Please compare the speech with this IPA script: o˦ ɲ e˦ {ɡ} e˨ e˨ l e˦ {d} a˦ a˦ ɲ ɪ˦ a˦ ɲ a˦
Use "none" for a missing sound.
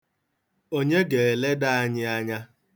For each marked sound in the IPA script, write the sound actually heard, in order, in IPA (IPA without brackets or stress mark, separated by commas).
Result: ɡ, d